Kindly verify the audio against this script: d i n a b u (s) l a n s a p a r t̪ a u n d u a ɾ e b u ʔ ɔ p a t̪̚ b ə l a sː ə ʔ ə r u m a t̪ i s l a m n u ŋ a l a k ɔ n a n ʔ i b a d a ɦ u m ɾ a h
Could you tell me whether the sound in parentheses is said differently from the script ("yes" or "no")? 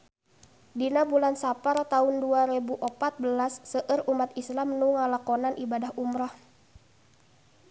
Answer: yes